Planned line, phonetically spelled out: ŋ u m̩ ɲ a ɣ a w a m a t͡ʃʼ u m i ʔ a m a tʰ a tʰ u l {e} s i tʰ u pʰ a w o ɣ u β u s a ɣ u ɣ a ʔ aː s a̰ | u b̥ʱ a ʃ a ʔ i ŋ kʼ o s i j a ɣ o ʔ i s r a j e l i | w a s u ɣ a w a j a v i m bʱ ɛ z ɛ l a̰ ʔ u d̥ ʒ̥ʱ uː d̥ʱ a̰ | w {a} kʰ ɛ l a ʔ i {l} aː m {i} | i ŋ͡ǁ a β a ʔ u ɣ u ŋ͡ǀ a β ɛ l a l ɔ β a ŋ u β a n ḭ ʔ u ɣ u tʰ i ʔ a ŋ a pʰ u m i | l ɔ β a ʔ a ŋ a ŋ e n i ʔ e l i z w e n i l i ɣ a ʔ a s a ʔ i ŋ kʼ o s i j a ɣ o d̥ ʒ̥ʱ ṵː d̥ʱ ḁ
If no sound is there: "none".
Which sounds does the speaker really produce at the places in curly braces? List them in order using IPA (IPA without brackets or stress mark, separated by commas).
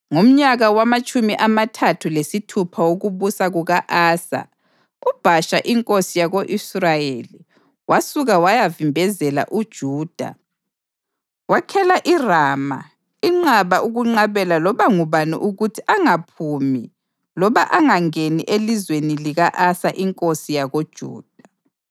e, a, r, a